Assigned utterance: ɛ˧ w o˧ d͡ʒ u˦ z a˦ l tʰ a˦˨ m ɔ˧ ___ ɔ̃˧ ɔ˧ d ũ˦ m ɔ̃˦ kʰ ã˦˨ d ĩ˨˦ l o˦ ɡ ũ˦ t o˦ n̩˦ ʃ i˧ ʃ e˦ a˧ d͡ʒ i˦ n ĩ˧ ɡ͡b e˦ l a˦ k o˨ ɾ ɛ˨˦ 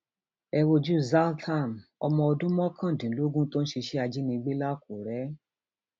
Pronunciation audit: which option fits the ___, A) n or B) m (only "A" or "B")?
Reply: B